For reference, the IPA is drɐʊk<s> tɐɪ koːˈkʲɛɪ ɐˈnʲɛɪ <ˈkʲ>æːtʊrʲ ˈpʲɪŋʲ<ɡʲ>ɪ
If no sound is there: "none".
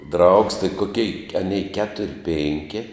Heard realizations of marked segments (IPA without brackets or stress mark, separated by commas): s, kʲ, kʲ